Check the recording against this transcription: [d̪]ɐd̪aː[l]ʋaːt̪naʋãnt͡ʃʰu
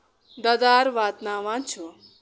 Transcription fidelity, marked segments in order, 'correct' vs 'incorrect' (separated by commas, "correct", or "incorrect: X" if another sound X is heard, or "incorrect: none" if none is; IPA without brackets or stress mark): correct, incorrect: ɾ